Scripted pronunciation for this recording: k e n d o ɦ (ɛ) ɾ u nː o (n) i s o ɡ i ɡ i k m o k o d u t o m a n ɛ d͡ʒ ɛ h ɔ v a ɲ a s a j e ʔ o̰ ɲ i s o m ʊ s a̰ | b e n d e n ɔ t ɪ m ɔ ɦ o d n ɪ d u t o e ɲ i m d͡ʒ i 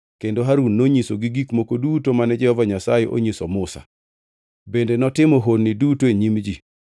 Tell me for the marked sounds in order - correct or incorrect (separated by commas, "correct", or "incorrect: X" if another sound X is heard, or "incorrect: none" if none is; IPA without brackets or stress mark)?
incorrect: a, incorrect: ɲ